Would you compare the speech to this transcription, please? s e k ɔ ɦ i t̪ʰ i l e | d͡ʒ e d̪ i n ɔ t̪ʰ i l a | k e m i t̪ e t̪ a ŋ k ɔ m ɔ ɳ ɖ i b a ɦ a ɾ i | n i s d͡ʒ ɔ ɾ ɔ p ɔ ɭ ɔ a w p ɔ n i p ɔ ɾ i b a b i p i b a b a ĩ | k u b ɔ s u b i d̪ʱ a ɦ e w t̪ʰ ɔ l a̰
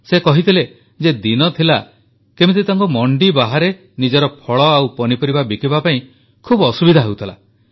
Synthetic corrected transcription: s e k ɔ ɦ i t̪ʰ i l e | d͡ʒ e d̪ i n ɔ t̪ʰ i l a | k e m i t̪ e t̪ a ŋ k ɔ m ɔ ɳ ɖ i b a ɦ a ɾ e | n i d͡ʒ ɔ ɾ ɔ pʰ ɔ ɭ ɔ a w p ɔ n i p ɔ ɾ i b a b i k i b a p a ĩ | kʰ u b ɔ s u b i d̪ʱ a ɦ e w t̪ʰ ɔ l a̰

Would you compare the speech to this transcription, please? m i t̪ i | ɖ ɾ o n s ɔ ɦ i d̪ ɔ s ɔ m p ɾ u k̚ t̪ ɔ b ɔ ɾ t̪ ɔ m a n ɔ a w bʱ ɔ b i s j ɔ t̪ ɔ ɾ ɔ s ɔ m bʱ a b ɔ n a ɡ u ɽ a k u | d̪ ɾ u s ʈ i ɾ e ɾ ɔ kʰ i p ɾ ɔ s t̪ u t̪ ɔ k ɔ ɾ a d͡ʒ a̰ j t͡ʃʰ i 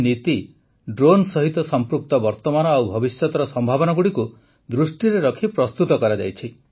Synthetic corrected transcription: n i t̪ i | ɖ ɾ o n s ɔ ɦ i t̪ ɔ s ɔ m p ɾ u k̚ t̪ ɔ b ɔ ɾ t̪ ɔ m a n ɔ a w bʱ ɔ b i s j ɔ t̪ ɔ ɾ ɔ s ɔ m bʱ a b ɔ n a ɡ u ɽ i k u | d̪ ɾ u s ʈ i ɾ e ɾ ɔ kʰ i p ɾ ɔ s t̪ u t̪ ɔ k ɔ ɾ a d͡ʒ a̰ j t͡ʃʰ i

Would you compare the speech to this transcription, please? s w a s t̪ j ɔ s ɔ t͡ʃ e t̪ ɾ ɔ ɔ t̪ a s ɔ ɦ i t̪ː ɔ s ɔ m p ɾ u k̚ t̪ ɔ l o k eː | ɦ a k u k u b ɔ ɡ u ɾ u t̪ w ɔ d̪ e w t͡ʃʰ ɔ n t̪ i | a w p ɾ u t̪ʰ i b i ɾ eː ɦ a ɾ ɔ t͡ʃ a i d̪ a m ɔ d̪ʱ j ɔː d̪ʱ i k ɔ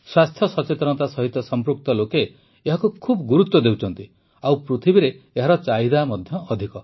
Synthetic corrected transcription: s w a s t̪ʰ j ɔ s ɔ t͡ʃ e t̪ ɾ ɔ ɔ t̪ a s ɔ ɦ i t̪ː ɔ s ɔ m p ɾ u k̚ t̪ ɔ l o k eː | ɦ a k u kʰ u b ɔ ɡ u ɾ u t̪ w ɔ d̪ e w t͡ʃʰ ɔ n t̪ i | a w p ɾ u t̪ʰ i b i ɾ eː ɦ a ɾ ɔ t͡ʃ a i d̪ a m ɔ d̪ʱ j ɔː d̪ʱ i k ɔ

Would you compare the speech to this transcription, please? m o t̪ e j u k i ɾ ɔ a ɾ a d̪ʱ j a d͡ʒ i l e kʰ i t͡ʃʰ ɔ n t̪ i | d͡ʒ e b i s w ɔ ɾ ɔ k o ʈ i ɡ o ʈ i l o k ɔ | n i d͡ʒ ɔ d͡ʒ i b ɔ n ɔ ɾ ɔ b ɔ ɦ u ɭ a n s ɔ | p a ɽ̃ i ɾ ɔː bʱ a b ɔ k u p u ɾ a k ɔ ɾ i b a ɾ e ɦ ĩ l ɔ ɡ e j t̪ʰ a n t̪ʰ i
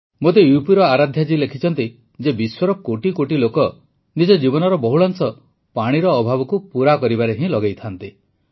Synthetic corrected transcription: m o t̪ e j u p i ɾ ɔ a ɾ a d̪ʱ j a d͡ʒ i l e kʰ i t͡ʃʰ ɔ n t̪ i | d͡ʒ e b i s w ɔ ɾ ɔ k o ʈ i k o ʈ i l o k ɔ | n i d͡ʒ ɔ d͡ʒ i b ɔ n ɔ ɾ ɔ b ɔ ɦ u ɭ a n s ɔ | p a ɽ̃ i ɾ ɔː bʱ a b ɔ k u p u ɾ a k ɔ ɾ i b a ɾ e ɦ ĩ l ɔ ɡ e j t̪ʰ a n t̪ i

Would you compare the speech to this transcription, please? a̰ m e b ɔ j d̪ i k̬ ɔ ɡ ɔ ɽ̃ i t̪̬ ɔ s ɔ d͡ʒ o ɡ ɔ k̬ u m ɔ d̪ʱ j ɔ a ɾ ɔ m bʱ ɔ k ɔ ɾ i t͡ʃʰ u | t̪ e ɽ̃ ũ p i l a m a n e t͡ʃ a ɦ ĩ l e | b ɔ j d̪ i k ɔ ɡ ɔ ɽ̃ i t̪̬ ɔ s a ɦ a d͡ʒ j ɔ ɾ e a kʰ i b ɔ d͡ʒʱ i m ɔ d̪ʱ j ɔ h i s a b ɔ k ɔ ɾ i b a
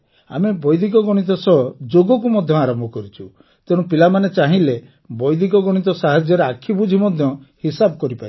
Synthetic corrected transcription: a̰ m e b ɔ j d̪ i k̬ ɔ ɡ ɔ ɽ̃ i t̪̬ ɔ s ɔ d͡ʒ o ɡ ɔ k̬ u m ɔ d̪ʱ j ɔ a ɾ ɔ m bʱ ɔ k ɔ ɾ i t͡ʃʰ u | t̪ e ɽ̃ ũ p i l a m a n e t͡ʃ a ɦ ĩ l e | b ɔ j d̪ i k ɔ ɡ ɔ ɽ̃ i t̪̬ ɔ s a ɦ a d͡ʒ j ɔ ɾ e a kʰ i b u d͡ʒʱ i m ɔ d̪ʱ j ɔ h i s a b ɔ k ɔ ɾ i p a

